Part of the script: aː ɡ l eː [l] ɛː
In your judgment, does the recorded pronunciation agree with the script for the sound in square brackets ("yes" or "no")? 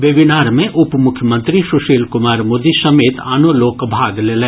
yes